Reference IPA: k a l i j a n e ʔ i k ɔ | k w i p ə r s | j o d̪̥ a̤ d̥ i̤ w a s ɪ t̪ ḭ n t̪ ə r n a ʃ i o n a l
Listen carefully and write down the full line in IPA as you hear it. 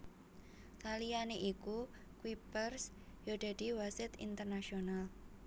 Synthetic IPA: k a l i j a n e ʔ i k u | k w i p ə r s | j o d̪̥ a̤ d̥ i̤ w a s ɪ t̪ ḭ n t̪ ə r n a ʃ i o n a l